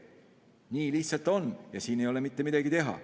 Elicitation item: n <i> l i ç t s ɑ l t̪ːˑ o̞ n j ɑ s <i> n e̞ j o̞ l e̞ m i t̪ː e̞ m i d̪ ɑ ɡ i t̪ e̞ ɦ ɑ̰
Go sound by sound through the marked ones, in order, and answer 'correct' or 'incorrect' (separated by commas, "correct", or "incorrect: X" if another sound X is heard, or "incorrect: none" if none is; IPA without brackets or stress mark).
incorrect: iː, incorrect: iː